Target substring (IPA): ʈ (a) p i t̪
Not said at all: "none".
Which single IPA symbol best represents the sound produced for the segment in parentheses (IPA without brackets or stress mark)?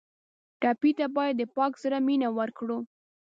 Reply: ɑ